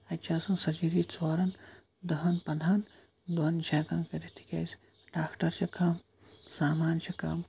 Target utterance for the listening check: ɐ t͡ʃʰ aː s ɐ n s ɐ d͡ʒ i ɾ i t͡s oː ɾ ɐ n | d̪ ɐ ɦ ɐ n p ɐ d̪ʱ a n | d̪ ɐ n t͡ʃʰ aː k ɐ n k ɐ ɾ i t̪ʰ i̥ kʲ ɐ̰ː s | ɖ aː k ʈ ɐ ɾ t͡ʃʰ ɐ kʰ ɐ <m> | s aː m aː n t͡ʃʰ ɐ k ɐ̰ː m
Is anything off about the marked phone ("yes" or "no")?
no